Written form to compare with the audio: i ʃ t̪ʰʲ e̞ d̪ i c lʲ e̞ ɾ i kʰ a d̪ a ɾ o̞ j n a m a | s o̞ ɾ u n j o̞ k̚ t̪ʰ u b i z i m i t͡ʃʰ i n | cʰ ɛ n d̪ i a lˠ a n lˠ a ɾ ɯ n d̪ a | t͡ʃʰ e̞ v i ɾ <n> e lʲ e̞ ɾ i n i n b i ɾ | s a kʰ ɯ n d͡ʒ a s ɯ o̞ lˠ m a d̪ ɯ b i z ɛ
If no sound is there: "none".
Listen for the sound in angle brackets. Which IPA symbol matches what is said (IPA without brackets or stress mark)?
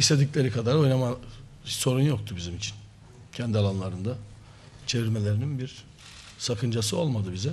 m